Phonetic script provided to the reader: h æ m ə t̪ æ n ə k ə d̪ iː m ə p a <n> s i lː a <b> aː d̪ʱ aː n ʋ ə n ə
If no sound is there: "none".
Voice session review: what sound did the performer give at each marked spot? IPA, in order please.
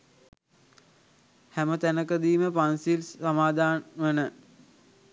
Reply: n, m

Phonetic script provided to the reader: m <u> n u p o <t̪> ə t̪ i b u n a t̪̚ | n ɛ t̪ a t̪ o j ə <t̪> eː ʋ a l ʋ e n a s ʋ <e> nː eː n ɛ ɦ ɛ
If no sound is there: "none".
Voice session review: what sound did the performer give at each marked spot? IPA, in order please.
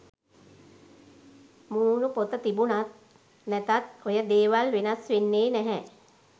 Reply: uː, t̪, d̪, e

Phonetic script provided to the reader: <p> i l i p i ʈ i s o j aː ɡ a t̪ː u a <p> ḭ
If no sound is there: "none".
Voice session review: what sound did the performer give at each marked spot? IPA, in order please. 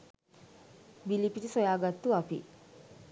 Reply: b, p

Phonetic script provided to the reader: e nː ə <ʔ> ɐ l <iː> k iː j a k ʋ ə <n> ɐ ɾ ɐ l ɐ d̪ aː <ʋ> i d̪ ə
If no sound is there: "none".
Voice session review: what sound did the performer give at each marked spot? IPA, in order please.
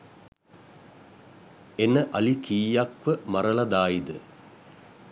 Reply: ʔ, i, m, none

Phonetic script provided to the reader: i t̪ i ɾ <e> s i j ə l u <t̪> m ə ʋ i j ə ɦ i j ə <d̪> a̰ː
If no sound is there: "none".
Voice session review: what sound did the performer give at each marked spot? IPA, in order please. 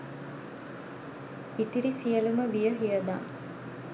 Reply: i, none, d̪

